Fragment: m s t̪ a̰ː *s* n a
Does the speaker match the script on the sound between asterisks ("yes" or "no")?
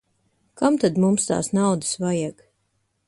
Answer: yes